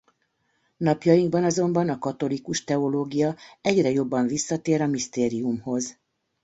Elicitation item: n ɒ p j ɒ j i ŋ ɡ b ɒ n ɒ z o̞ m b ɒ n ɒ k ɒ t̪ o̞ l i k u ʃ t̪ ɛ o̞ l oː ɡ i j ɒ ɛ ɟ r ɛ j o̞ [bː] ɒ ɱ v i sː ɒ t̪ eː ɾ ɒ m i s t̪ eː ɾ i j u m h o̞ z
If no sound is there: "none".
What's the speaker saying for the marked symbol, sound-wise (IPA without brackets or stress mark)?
bː